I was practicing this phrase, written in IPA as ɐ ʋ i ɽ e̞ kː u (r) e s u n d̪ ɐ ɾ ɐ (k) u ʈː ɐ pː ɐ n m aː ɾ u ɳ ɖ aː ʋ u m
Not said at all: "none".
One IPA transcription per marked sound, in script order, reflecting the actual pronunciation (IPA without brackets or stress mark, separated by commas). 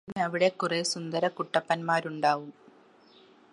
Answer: r, k